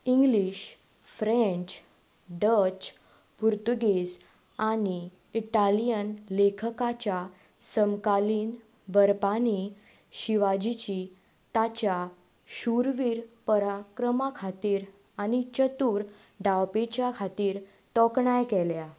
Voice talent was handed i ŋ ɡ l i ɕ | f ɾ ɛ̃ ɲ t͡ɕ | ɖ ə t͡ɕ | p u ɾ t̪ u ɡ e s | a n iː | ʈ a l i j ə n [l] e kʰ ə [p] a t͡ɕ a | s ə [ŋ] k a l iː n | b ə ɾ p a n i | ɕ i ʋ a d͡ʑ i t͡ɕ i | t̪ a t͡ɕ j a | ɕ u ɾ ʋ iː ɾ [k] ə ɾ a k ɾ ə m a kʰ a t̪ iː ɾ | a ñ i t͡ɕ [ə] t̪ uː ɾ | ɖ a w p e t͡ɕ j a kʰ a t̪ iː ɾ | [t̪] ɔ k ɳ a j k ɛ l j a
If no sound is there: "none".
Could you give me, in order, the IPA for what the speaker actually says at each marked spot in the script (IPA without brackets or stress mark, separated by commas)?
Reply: l, k, m, p, ə, t̪